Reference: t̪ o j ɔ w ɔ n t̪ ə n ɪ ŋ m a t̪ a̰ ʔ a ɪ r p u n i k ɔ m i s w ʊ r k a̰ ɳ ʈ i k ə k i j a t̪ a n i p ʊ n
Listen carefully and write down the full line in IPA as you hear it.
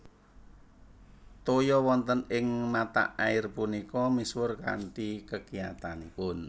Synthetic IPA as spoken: t̪ o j ɔ w ɔ n t̪ ə n ɪ ŋ m a t̪ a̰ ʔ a ɪ r p u n i k ɔ m i s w ʊ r k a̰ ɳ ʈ i k ə k i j a t̪ a n i p ʊ n